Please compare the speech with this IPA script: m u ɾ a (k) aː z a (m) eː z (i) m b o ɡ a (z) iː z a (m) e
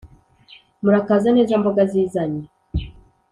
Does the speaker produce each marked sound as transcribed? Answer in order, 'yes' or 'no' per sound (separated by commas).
yes, no, no, yes, no